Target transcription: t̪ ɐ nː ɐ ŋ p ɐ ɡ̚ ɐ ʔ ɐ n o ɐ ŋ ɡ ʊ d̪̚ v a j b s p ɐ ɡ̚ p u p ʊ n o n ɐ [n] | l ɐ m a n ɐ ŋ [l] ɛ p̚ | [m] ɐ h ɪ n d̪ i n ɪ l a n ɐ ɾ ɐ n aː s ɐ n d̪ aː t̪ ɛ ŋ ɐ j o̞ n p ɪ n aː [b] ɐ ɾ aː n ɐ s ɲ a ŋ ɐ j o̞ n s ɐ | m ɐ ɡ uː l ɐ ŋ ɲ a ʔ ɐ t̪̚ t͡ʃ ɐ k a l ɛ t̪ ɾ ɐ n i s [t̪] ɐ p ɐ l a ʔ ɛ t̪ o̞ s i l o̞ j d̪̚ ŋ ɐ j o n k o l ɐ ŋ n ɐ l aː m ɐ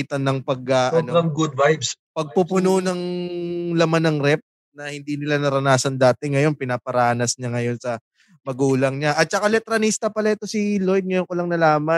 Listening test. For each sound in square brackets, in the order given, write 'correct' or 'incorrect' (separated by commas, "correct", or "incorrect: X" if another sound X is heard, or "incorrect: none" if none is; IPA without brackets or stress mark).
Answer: incorrect: ŋ, incorrect: ɾ, incorrect: n, incorrect: p, correct